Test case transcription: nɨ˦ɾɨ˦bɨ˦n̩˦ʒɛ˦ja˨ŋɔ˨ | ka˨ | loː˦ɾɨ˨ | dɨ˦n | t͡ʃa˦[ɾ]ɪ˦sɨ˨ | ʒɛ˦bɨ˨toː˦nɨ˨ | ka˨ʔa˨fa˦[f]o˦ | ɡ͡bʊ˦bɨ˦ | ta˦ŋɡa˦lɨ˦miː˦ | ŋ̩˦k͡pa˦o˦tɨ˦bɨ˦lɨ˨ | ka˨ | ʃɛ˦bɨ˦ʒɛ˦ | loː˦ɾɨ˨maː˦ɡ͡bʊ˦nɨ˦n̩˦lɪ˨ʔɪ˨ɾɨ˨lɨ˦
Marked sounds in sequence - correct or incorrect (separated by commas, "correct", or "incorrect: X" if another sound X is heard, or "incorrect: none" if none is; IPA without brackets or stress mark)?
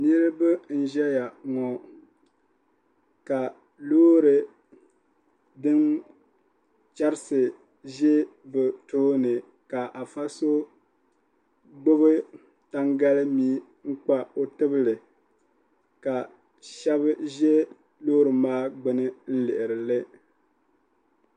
correct, incorrect: s